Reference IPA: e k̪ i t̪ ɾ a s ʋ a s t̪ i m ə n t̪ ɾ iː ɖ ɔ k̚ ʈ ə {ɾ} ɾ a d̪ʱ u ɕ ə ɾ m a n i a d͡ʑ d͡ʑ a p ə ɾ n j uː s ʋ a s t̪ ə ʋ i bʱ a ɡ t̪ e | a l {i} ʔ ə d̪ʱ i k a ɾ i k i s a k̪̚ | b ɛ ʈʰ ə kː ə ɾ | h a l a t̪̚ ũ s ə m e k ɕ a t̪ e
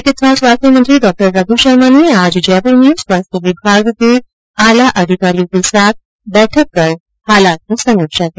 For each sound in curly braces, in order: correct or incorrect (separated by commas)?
correct, incorrect